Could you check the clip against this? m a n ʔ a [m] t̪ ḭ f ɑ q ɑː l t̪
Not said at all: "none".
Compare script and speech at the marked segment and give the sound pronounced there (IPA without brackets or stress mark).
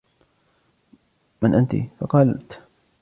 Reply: n